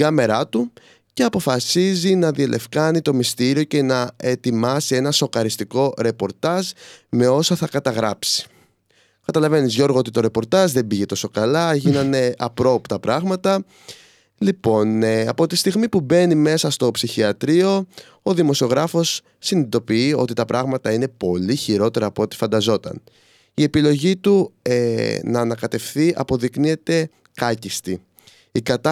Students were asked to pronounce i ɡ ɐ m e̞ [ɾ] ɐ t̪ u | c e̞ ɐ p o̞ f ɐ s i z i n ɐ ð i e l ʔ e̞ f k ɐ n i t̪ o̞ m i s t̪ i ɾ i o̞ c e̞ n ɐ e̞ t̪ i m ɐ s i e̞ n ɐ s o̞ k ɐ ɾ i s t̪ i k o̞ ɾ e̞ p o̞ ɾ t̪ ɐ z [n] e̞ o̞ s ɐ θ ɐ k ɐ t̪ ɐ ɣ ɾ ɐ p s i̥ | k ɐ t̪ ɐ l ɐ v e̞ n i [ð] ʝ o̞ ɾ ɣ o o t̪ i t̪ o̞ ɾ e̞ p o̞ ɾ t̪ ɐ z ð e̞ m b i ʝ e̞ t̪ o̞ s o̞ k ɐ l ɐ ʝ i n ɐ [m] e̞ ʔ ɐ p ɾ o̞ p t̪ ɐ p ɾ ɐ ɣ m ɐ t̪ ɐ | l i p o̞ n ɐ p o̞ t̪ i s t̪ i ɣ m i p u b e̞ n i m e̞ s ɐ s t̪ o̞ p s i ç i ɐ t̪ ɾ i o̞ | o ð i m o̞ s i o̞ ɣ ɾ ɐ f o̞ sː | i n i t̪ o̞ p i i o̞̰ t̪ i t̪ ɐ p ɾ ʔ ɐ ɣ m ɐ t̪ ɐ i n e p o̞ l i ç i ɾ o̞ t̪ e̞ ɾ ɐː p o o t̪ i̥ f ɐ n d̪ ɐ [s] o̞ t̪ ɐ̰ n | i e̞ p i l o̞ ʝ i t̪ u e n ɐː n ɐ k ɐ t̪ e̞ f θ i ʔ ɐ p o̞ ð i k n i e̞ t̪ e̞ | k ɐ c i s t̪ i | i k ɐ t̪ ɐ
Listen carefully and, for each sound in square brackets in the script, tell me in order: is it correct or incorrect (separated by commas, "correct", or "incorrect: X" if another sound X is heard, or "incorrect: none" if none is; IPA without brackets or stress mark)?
correct, incorrect: m, incorrect: z, incorrect: n, incorrect: z